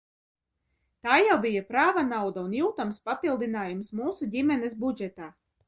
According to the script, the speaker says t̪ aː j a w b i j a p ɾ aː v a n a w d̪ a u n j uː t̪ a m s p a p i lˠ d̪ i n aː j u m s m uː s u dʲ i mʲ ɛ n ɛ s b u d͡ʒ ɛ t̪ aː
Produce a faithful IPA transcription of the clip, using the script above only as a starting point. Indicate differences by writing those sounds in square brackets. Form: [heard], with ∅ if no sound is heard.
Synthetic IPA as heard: t̪ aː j a w b i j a p ɾ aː v a n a w d̪ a u n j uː t̪ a m s p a p i lˠ d̪ i n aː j u m s m uː s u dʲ i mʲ ɛ n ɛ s b u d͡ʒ ɛ t̪ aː